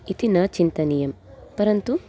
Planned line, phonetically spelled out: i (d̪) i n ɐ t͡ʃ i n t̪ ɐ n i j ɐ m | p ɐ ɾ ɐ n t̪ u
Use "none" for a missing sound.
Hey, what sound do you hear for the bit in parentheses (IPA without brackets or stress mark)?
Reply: t̪